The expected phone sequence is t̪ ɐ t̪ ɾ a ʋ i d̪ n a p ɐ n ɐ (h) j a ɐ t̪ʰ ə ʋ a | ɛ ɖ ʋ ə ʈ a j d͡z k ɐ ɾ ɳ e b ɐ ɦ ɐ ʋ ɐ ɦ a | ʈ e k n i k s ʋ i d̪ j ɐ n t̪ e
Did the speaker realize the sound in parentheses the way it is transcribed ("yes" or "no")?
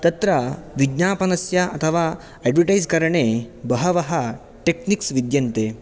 no